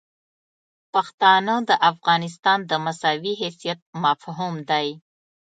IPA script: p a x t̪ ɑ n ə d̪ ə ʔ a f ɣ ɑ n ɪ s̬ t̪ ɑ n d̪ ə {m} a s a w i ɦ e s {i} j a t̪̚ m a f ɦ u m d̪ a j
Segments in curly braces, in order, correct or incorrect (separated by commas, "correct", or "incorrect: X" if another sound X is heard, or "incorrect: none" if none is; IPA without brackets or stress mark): correct, correct